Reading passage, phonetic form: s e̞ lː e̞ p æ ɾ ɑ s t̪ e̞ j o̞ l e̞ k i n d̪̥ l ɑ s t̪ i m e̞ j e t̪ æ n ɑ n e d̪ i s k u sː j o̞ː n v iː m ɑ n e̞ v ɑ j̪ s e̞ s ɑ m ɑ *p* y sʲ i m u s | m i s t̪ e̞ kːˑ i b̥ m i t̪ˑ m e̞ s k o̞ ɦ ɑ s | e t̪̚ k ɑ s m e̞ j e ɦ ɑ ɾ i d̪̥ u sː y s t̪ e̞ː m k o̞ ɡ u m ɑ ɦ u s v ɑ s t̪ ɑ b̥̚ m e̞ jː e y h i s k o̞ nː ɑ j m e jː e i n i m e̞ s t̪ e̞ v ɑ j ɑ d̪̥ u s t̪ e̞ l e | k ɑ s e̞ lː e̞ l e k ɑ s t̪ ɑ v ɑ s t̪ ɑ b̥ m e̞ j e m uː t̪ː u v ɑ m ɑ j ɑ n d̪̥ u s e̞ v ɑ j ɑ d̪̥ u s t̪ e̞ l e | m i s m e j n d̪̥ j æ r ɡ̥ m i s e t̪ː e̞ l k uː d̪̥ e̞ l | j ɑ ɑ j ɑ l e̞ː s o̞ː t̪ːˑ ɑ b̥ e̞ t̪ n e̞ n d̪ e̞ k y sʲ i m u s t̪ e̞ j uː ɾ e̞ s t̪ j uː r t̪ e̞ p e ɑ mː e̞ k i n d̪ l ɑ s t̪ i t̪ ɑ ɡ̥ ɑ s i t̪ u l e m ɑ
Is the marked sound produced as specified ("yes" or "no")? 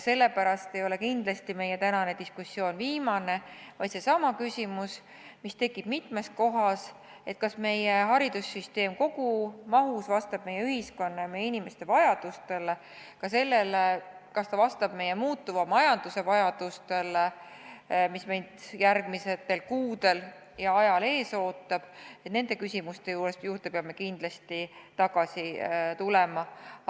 no